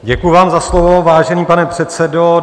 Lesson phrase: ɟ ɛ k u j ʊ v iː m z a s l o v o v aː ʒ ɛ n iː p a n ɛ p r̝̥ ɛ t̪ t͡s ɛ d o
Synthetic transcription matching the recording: ɟ ɛ k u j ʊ v aː m z a s l o v o v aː ʒ ɛ n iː p a n ɛ p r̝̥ ɛ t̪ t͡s ɛ d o